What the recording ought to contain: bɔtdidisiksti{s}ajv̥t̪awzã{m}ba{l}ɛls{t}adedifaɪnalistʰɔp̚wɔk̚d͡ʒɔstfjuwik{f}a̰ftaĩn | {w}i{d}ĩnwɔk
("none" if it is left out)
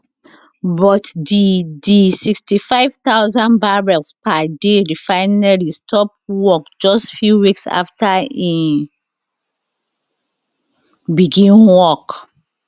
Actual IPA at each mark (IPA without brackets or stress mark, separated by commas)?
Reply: f, n, ɹ, p, s, b, ɡ